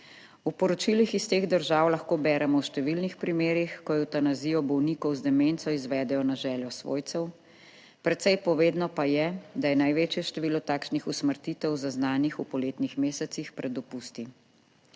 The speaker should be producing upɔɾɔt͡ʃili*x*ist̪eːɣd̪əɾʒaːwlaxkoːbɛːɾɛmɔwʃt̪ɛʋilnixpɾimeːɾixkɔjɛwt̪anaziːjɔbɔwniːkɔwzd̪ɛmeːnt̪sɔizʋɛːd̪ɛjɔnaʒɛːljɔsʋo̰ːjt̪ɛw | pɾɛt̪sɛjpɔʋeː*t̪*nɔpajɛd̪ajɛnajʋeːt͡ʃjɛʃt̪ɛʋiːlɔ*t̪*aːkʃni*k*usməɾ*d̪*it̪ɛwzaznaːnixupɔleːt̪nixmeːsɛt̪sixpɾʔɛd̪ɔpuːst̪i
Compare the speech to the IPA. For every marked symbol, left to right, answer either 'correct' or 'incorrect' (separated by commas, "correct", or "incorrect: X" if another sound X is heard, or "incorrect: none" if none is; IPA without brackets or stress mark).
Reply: correct, incorrect: d̪, correct, incorrect: x, incorrect: t̪